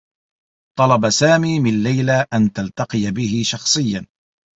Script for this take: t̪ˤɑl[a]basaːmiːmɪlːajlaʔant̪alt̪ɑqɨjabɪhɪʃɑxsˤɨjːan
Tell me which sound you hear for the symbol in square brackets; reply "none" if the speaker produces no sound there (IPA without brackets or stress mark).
ɑ